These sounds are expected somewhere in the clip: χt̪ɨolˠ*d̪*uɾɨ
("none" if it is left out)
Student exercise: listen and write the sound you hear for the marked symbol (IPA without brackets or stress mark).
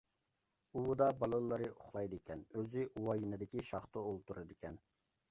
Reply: t̪